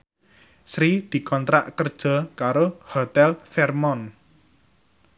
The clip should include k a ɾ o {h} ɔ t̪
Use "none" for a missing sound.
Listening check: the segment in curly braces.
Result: h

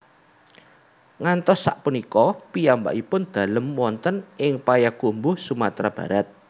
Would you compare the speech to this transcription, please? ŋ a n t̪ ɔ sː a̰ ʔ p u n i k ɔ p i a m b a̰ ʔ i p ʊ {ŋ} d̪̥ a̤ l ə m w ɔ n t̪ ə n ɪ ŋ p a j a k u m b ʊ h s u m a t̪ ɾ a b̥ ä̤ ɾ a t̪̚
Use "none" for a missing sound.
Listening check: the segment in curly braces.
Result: n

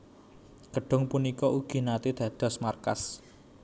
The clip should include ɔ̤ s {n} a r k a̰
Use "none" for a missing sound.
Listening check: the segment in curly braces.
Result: m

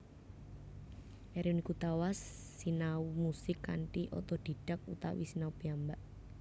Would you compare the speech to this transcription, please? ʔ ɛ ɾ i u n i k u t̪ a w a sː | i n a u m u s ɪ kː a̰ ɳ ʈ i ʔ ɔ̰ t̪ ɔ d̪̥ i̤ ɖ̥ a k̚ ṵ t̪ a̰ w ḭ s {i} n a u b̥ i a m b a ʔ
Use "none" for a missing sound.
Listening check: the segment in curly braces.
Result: i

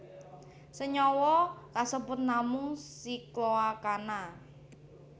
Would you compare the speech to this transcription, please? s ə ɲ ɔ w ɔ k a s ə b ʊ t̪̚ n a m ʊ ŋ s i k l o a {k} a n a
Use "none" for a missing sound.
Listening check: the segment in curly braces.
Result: k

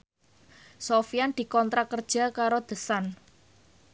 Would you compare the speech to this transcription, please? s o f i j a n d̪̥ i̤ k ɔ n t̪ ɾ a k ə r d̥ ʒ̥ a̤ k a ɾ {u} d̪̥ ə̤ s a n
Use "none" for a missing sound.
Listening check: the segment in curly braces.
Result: o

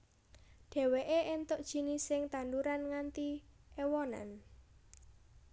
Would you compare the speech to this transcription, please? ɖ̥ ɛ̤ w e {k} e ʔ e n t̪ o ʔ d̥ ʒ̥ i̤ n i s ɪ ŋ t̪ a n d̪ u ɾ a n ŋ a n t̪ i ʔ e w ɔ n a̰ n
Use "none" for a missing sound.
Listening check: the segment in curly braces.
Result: ʔ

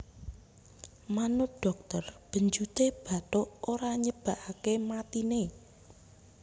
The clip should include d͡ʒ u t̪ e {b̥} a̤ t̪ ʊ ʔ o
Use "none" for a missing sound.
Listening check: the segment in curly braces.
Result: b̥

